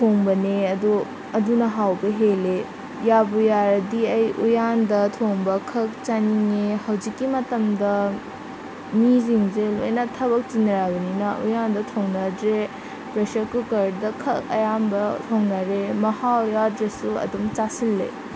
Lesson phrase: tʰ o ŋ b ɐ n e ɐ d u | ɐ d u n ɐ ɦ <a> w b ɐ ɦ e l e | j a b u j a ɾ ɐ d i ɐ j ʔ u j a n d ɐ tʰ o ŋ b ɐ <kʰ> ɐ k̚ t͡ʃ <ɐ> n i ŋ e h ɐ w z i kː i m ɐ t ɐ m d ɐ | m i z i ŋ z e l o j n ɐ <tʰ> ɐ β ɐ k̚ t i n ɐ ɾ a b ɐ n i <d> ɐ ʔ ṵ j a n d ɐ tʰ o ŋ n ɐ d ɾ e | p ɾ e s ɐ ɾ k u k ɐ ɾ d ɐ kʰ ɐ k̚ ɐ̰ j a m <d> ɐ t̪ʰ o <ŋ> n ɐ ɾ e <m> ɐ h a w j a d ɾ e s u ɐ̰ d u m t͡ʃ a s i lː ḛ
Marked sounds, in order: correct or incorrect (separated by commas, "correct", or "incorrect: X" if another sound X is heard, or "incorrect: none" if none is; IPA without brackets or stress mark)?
correct, correct, incorrect: a, correct, incorrect: n, incorrect: b, correct, correct